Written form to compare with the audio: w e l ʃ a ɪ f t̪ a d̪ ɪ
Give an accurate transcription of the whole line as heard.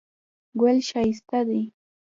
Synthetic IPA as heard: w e l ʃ a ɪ s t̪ a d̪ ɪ

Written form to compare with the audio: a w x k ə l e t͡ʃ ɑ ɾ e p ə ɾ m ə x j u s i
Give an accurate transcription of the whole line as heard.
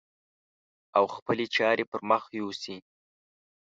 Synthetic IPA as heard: a w x p ə l e t͡ʃ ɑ ɾ e p ə ɾ m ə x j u s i

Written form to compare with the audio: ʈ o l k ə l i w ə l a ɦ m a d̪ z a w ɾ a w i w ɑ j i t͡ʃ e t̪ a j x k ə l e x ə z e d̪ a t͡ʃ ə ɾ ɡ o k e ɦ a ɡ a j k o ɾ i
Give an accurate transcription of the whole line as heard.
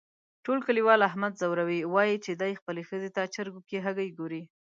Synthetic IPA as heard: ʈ o l k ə l i w ɑ l a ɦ m a d̪ z a w ɾ a w i w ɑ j i t͡ʃ e d̪ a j x p ə l e x ə z e t̪ a t͡ʃ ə ɾ ɡ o k e ɦ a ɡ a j ɡ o ɾ i

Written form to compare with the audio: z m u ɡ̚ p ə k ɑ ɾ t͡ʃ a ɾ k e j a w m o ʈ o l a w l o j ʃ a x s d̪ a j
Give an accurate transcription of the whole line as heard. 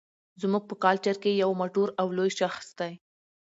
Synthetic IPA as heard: z m u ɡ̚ p ə k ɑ l t͡ʃ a ɾ k e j a w m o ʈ o ɾ a w l o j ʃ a x s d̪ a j

